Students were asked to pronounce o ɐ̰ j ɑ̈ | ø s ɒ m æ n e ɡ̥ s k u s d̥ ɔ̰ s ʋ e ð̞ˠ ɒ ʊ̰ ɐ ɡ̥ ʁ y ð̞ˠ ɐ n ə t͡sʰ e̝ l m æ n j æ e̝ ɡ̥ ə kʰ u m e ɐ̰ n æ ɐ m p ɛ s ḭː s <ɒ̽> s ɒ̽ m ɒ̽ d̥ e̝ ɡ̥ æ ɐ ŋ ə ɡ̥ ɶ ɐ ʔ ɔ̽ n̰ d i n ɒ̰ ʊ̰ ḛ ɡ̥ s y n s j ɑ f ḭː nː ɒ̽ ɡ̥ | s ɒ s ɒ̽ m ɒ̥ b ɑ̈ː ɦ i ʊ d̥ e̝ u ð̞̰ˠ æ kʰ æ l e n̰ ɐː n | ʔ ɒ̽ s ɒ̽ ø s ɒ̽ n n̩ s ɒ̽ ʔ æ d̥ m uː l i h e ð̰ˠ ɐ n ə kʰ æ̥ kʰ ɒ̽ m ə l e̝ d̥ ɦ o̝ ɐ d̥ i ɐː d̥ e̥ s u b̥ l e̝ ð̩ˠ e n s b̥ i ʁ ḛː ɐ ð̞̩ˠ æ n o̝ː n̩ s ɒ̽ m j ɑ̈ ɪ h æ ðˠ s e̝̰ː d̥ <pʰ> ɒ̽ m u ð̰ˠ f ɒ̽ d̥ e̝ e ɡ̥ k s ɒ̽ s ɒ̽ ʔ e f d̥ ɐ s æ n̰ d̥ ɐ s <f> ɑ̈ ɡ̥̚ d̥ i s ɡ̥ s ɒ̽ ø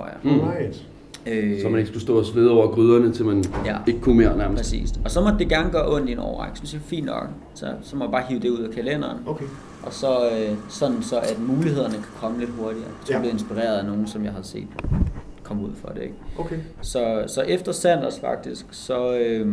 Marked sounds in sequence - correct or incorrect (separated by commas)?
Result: correct, incorrect, correct